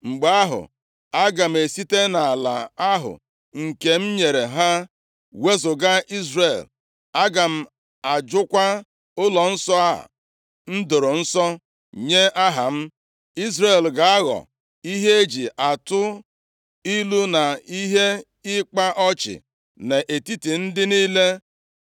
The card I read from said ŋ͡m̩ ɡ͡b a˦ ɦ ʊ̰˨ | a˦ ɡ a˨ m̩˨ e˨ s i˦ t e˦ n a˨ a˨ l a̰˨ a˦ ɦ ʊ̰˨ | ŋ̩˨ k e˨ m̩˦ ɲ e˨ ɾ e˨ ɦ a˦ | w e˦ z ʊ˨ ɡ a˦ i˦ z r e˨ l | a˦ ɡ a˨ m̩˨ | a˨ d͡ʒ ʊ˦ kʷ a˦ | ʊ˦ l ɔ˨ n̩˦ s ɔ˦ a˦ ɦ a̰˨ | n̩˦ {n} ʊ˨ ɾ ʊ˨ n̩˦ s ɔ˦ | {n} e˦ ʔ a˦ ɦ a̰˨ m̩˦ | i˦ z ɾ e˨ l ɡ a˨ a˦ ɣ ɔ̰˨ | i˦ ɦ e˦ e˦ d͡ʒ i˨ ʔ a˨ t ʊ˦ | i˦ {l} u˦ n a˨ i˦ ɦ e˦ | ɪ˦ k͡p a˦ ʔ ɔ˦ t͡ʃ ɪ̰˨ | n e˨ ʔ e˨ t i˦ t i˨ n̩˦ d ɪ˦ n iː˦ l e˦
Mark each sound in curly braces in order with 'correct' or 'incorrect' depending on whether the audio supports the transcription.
incorrect: d, incorrect: ɲ, correct

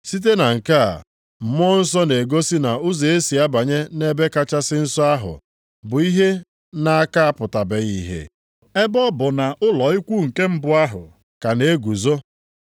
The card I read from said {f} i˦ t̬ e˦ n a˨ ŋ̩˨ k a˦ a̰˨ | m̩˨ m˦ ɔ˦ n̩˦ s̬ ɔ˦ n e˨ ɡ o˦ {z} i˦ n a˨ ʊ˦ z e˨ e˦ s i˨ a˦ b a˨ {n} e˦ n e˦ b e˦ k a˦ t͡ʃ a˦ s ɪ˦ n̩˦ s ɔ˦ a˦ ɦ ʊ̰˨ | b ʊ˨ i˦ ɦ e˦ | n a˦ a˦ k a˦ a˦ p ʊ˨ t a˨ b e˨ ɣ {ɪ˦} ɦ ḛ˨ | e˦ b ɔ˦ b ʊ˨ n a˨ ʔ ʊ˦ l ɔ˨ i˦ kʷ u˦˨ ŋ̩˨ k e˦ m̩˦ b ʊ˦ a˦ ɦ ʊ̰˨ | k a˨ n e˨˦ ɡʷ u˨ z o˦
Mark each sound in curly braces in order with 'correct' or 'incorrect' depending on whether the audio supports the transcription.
incorrect: s, incorrect: s, incorrect: ɲ, incorrect: i˦

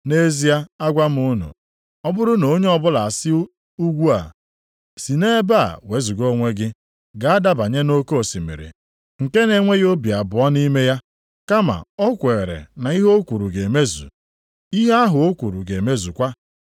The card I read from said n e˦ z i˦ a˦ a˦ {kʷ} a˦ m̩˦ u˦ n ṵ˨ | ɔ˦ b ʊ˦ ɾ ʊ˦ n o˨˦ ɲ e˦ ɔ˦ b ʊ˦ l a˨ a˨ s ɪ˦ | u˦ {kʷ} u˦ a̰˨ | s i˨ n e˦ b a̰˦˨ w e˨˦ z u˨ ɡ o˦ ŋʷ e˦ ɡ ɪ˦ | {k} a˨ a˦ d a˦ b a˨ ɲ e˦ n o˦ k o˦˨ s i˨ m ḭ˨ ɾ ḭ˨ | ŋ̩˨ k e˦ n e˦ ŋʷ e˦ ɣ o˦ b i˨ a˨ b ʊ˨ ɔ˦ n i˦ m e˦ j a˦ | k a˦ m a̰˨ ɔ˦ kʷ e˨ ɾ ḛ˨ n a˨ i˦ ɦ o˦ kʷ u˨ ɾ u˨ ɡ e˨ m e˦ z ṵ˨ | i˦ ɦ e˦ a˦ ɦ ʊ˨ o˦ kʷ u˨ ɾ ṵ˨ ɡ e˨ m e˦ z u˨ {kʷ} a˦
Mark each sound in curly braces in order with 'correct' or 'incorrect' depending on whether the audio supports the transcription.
incorrect: ɡʷ, incorrect: ɡʷ, incorrect: ɡ, correct

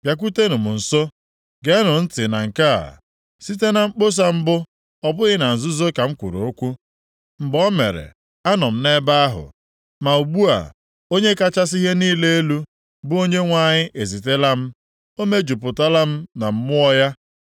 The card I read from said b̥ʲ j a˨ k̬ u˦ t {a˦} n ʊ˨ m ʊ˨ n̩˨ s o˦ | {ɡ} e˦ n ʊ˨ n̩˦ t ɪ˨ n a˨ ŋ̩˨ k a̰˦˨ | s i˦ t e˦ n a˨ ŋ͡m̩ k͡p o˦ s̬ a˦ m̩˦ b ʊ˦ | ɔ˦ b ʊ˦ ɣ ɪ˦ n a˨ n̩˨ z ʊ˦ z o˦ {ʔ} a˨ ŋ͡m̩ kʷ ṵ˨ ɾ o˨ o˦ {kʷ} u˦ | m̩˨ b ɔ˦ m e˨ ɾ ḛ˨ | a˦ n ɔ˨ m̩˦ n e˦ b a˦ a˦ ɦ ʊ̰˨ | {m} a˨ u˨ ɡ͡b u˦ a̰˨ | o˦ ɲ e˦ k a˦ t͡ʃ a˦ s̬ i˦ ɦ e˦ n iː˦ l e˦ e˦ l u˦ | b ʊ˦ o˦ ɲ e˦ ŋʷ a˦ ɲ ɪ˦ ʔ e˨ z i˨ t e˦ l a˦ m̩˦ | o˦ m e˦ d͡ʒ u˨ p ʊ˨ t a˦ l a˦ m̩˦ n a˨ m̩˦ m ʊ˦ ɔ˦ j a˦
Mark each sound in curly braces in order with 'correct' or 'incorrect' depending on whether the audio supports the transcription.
incorrect: e˦, correct, incorrect: k, correct, correct

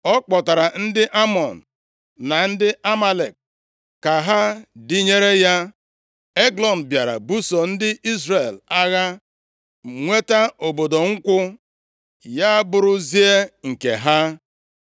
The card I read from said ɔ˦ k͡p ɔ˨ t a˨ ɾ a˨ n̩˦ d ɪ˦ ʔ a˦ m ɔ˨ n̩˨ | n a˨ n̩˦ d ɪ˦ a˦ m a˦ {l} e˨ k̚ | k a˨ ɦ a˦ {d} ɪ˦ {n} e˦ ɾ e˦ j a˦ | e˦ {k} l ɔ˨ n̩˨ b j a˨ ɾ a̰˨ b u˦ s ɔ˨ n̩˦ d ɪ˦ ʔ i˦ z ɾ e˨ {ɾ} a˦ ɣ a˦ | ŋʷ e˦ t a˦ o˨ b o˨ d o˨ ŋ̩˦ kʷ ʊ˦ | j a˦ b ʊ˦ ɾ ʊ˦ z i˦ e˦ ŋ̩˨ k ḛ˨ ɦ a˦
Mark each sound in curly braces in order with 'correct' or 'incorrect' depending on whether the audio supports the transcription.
correct, correct, incorrect: ɲ, incorrect: ɡ, incorrect: l

